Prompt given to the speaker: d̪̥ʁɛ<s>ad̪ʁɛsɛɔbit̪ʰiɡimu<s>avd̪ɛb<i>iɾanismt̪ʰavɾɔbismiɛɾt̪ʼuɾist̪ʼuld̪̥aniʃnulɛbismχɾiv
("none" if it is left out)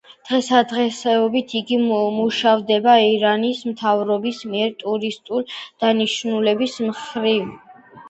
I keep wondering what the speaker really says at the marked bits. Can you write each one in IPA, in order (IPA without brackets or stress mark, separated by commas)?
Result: s, ʃ, a